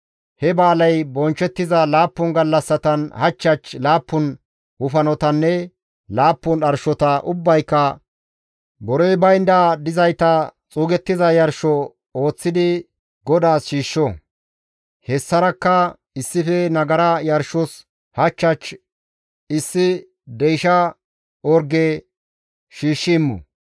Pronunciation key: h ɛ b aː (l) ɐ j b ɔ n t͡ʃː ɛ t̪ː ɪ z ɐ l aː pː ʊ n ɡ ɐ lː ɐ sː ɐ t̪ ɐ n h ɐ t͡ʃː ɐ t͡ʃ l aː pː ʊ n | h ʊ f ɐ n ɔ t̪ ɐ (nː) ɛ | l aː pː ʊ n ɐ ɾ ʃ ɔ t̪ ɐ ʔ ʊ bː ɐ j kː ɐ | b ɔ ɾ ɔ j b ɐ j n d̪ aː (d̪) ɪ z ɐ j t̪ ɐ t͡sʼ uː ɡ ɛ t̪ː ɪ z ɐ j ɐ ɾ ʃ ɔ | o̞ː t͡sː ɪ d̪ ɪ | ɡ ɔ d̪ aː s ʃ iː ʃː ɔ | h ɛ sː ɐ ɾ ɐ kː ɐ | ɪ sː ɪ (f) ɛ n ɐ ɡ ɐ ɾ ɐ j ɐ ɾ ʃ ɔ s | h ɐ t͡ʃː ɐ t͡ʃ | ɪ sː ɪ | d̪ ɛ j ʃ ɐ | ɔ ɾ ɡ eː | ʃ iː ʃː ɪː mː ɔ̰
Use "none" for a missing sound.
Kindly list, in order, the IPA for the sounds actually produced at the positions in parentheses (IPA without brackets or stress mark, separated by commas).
l, nː, d̪, f